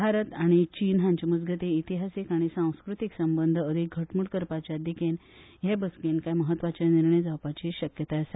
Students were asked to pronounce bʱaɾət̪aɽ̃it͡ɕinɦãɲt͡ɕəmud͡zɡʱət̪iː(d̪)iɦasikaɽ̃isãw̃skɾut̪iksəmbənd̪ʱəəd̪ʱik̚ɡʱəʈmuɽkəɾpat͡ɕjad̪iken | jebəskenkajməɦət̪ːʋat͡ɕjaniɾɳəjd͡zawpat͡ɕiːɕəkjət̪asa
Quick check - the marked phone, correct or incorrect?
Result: incorrect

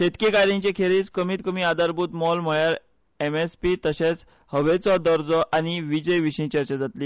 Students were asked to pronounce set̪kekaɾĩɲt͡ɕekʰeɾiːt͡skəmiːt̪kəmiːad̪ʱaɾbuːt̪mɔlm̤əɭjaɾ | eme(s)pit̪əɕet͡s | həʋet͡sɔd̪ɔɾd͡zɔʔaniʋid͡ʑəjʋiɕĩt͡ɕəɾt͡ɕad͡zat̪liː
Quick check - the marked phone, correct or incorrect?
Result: correct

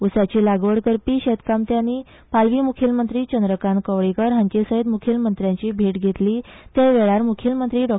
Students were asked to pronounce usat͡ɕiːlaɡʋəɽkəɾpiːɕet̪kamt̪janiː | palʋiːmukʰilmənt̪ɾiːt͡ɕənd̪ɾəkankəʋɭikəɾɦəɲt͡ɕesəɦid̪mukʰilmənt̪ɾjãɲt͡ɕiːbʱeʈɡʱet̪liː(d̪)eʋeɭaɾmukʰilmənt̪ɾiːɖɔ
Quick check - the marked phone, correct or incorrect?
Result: incorrect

